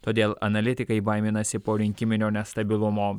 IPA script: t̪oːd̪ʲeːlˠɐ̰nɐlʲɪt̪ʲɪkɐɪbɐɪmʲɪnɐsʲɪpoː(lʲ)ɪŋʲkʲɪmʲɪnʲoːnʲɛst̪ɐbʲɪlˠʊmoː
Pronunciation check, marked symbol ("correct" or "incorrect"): incorrect